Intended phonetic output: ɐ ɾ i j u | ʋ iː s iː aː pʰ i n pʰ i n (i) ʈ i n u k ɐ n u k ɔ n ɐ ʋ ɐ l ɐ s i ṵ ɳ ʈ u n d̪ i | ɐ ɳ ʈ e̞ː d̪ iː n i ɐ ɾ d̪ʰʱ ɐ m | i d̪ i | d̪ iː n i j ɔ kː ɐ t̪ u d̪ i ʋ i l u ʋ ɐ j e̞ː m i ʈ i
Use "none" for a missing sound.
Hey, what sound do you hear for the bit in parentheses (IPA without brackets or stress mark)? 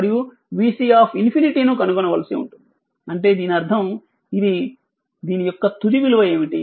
i